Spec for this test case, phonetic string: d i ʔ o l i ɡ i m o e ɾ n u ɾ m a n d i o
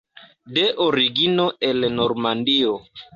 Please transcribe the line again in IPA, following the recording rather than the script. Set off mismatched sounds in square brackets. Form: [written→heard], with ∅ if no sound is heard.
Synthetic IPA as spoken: d [i→e] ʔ o [l→ɾ] i ɡ i [m→n] o e [ɾ→l] n [u→o] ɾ m a n d i o

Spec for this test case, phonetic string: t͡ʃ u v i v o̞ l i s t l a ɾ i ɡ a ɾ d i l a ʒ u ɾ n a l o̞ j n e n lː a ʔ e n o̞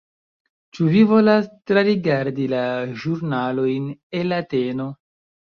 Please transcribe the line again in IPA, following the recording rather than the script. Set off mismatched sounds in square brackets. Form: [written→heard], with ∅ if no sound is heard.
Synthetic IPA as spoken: t͡ʃ u v i v o̞ l [i→a] s t [l→ɾ] a ɾ i ɡ a ɾ d i l a ʒ u ɾ n a l o̞ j n e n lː a [ʔ→t] e n o̞

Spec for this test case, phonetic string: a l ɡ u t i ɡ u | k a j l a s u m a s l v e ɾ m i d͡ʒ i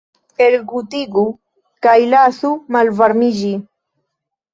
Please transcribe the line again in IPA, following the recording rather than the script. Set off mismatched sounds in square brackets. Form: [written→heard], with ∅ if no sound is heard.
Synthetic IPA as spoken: [a→e] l ɡ u t i ɡ u | k a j l a s u m a [s→∅] l v [e→a] ɾ m i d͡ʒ i

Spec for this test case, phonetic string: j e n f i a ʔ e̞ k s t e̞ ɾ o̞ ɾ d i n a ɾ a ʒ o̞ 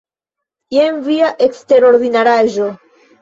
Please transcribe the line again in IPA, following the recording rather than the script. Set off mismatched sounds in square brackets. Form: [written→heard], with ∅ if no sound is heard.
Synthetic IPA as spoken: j e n [f→v] i a ʔ e̞ k s t e̞ ɾ o̞ ɾ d i n a ɾ a ʒ o̞

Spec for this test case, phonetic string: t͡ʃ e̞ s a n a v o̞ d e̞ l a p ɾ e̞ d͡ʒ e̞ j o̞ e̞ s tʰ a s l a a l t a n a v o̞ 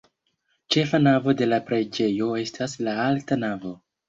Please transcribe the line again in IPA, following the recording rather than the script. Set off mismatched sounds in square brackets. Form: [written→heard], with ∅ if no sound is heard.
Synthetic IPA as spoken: t͡ʃ e̞ [s→f] a n a v o̞ d e̞ l a p ɾ e̞ d͡ʒ e̞ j o̞ e̞ s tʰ a s l a a l t a n a v o̞

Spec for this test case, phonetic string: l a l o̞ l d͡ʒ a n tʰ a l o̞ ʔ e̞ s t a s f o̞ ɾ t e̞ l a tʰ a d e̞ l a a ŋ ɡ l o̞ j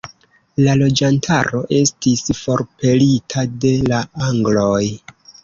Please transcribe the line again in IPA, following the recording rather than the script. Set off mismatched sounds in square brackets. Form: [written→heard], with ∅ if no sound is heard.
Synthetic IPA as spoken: l a l o̞ [l→∅] d͡ʒ a n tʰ a [l→ɾ] o̞ ʔ e̞ s t [a→i] s f o̞ ɾ [t→p] e̞ l [a→i] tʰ a d e̞ l a a ŋ ɡ l o̞ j

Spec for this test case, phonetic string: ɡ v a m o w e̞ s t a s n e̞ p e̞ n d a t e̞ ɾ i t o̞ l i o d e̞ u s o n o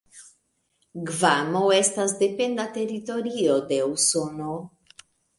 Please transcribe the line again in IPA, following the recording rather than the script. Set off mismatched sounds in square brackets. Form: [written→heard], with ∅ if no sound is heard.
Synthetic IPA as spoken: ɡ v a m o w e̞ s t a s [n→d] e̞ p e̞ n d a t e̞ ɾ i t o̞ [l→ɾ] i o d e̞ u s o n o

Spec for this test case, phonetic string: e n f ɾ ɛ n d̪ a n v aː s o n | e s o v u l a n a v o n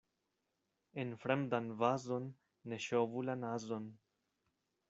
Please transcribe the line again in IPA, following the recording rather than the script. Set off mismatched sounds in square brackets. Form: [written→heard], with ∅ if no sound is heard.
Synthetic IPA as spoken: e n f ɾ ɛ [n→m] d̪ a n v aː [s→z] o [n→nː] | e [s→ʃ] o v u l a n a [v→z] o n

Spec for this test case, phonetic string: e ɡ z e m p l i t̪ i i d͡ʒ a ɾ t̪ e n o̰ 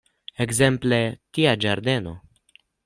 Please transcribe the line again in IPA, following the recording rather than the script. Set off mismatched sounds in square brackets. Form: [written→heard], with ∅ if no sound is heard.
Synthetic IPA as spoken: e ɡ z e m p l [i→e] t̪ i [i→a] d͡ʒ a ɾ [t̪→d̪] e n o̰

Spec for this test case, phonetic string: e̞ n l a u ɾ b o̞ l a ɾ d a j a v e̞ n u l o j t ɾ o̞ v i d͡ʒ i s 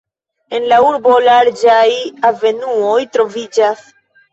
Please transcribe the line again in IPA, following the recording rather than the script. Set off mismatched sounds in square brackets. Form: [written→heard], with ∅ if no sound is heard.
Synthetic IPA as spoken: e̞ n l a u ɾ b o̞ l a ɾ [d→d͡ʒ] a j a v e̞ n u [l→∅] o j t ɾ o̞ v i d͡ʒ [i→a] s

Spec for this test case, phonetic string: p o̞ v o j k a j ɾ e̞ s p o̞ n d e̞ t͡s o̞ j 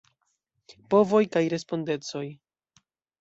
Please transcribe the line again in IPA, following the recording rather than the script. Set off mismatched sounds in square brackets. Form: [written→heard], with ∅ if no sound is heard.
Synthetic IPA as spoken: p o̞ v o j k a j ɾ e̞ s p o̞ n d e̞ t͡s o̞ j

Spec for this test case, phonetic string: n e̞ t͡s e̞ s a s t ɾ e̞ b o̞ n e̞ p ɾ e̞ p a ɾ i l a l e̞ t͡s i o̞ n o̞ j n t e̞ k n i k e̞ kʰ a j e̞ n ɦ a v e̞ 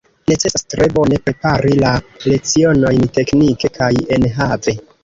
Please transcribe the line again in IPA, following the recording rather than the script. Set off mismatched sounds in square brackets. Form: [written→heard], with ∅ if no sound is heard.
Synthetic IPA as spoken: n e̞ t͡s e̞ s a s t ɾ e̞ b o̞ n e̞ p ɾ e̞ p a ɾ i l a l e̞ t͡s i o̞ n o̞ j n t e̞ k n i k e̞ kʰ a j e̞ n ɦ a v e̞

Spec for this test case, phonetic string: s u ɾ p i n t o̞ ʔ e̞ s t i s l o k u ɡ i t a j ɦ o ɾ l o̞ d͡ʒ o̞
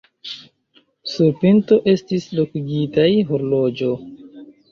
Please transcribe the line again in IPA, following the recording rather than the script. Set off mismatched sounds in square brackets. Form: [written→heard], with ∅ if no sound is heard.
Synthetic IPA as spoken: s u ɾ p i n t o̞ ʔ e̞ s t i s l o k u ɡ i t a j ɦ o ɾ l o̞ d͡ʒ o̞

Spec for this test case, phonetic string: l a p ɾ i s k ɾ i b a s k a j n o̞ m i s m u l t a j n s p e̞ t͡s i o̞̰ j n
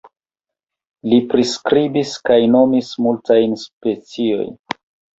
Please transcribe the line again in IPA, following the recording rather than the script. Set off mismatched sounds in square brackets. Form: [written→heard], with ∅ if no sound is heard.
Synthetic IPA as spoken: l [a→i] p ɾ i s k ɾ i b [a→i] s k a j n o̞ m i s m u l t a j n s p e̞ t͡s i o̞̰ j n

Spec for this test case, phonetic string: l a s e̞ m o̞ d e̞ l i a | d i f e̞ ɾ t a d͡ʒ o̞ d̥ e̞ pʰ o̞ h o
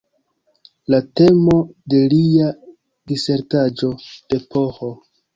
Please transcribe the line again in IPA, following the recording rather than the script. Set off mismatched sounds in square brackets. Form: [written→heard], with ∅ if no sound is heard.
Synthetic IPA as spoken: l a [s→t] e̞ m o̞ d e̞ l i a | d i [f→s] e̞ ɾ t a d͡ʒ o̞ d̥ e̞ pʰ o̞ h o

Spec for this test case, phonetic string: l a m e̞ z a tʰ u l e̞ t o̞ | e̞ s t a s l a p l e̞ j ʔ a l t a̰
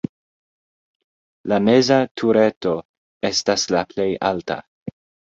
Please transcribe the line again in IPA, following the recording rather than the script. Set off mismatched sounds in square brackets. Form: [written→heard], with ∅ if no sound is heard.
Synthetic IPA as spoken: l a m e̞ z a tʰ u [l→ɾ] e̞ t o̞ | e̞ s t a s l a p l e̞ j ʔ a l t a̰

